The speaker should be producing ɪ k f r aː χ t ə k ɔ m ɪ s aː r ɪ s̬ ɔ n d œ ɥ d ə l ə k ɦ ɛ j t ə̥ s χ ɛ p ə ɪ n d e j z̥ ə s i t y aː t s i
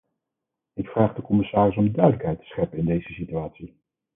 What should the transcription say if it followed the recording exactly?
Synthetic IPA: ɪ k f r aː χ d ə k ɔ m ɪ s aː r ɪ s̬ ɔ m d œ ɥ d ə l ə k ɦ ɛ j t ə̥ s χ ɛ p ə ɪ n d e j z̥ ə s i t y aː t s i

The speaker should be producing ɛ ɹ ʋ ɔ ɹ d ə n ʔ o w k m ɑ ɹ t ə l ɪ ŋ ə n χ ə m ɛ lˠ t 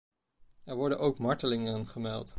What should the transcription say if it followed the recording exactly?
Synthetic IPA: ɛ ɹ ʋ ɔ ɹ d ə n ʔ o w k m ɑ ɹ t ə l ɪ ŋ ə n χ ə m ɛ lˠ t

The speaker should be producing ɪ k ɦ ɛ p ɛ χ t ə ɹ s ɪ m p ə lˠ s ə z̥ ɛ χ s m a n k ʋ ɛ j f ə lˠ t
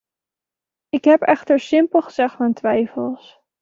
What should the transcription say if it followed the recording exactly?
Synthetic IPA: ɪ k ɦ ɛ p ɛ χ t ə ɹ s ɪ m p ə lˠ χ ə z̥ ɛ χ t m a n t ʋ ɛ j f ə lˠ s

